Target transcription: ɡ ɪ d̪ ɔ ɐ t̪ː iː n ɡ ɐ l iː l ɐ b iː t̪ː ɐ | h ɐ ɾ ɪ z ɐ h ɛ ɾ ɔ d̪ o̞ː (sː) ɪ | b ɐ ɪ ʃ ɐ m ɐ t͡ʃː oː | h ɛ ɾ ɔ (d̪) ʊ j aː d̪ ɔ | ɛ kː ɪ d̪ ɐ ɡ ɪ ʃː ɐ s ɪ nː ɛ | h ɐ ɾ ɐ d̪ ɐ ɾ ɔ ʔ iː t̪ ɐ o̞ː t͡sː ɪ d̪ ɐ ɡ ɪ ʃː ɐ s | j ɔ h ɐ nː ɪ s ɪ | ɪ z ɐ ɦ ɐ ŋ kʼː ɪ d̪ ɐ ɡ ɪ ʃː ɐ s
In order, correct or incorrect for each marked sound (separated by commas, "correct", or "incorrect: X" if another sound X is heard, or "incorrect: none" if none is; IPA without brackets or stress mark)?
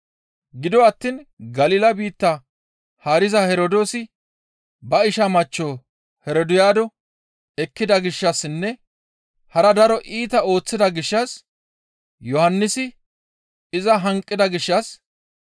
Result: incorrect: s, correct